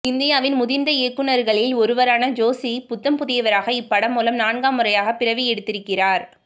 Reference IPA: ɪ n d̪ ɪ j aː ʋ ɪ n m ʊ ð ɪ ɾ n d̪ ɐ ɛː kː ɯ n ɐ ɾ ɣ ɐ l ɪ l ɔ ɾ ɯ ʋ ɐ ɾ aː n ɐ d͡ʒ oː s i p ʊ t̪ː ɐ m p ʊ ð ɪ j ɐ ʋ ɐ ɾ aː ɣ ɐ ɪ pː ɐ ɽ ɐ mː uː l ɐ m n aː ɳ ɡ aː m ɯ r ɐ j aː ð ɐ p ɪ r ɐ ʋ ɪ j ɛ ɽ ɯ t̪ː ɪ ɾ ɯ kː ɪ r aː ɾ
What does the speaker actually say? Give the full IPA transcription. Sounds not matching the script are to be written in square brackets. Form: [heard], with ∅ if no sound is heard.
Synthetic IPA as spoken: ɪ n d̪ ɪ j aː ʋ ɪ n m ʊ ð ɪ ɾ n d̪ ɐ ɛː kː ɯ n ɐ ɾ ɣ ɐ [ɭ] ɪ l ɔ ɾ ɯ ʋ ɐ ɾ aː n ɐ d͡ʒ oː s i p ʊ t̪ː ɐ m p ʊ ð ɪ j ɐ ʋ ɐ ɾ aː ɣ ɐ ɪ pː ɐ ɽ ɐ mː uː l ɐ m n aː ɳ ɡ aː m ɯ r ɐ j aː [ɣ] ɐ p ɪ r ɐ ʋ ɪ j ɛ ɽ ɯ t̪ː ɪ ɾ ɯ kː ɪ r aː ɾ

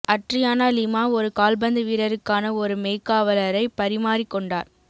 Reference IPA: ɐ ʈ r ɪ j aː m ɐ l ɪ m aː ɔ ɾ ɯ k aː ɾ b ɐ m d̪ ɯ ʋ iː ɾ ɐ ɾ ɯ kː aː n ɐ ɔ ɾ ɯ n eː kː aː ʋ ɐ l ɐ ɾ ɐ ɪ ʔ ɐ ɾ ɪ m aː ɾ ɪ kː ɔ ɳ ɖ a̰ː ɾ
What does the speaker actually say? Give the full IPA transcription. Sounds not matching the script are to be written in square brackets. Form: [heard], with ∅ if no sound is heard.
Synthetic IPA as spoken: ɐ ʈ r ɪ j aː [n] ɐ l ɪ m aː ɔ ɾ ɯ k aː [l] b ɐ [n] d̪ ɯ ʋ iː ɾ ɐ ɾ ɯ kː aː n ɐ ɔ ɾ ɯ [m] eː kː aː ʋ ɐ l ɐ ɾ ɐ ɪ [p] ɐ ɾ ɪ m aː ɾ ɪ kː ɔ ɳ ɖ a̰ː ɾ

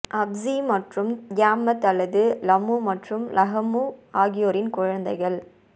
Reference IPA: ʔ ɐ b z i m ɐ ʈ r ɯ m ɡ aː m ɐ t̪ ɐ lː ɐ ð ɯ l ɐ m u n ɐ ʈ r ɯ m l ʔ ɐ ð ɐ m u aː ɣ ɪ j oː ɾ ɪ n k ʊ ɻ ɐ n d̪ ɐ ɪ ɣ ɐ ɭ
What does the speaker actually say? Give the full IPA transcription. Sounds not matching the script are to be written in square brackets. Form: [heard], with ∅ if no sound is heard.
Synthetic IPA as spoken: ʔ ɐ b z i m ɐ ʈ r ɯ m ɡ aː m ɐ t̪ ɐ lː ɐ ð ɯ l ɐ m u [m] ɐ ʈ r ɯ m l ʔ ɐ [ɣ] ɐ m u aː ɣ ɪ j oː ɾ ɪ n k ʊ ɻ ɐ n d̪ ɐ ɪ ɣ ɐ ɭ

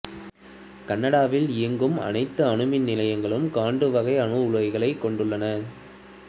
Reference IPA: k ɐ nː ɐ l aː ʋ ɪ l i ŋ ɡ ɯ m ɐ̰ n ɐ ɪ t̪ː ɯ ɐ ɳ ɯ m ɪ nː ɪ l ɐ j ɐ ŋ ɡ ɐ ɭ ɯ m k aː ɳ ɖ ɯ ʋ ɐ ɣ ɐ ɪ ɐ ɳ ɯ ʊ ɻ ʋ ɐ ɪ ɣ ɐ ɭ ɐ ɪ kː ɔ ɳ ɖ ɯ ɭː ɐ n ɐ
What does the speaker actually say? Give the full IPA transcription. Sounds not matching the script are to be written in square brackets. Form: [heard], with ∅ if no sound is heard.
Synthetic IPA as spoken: k ɐ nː ɐ [ɽ] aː ʋ ɪ l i ŋ ɡ ɯ m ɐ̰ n ɐ ɪ t̪ː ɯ ɐ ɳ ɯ m ɪ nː ɪ l ɐ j ɐ ŋ ɡ ɐ ɭ ɯ m k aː ɳ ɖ ɯ ʋ ɐ ɣ ɐ ɪ ɐ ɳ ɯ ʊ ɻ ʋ ɐ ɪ ɣ ɐ ɭ ɐ ɪ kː ɔ ɳ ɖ ɯ ɭː ɐ n ɐ

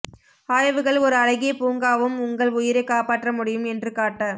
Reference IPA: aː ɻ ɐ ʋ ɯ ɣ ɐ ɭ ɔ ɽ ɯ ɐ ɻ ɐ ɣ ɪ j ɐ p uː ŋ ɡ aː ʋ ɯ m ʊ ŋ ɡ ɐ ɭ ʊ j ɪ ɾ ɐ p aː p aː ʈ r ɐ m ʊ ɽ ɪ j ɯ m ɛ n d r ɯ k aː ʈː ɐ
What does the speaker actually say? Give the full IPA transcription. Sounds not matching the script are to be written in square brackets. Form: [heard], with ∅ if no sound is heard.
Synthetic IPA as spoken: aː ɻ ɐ ʋ ɯ ɣ ɐ ɭ ɔ [ɾ] ɯ ɐ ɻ ɐ ɣ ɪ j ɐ p uː ŋ ɡ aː ʋ ɯ m ʊ ŋ ɡ ɐ ɭ ʊ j ɪ ɾ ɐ [k] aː p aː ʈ r ɐ m ʊ ɽ ɪ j ɯ m ɛ n d r ɯ k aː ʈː ɐ

